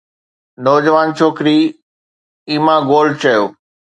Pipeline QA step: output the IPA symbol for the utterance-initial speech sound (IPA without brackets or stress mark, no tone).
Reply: n